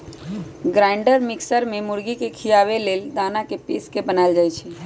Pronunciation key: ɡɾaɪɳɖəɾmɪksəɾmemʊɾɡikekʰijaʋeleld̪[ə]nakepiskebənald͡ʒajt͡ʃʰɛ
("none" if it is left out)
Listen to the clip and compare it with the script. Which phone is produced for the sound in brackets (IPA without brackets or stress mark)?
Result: a